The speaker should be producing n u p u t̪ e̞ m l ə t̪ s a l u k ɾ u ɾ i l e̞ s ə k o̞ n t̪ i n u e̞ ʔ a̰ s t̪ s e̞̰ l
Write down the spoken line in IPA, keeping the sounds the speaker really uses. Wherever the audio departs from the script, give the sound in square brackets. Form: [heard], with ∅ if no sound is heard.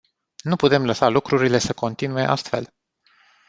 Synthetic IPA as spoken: n u p u t̪ e̞ m l ə [∅] s a l u k ɾ u ɾ i l e̞ s ə k o̞ n t̪ i n u e̞ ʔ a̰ s t̪ [f] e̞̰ l